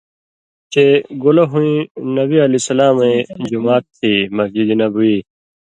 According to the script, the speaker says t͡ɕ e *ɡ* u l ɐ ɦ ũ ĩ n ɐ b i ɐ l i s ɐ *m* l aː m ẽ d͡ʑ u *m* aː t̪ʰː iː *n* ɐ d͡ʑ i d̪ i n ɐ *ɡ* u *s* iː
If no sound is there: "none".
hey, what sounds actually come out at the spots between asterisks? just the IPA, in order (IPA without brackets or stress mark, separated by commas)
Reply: ɡ, none, m, m, b, none